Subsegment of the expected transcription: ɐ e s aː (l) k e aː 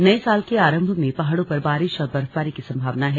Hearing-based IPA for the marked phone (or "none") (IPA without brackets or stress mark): l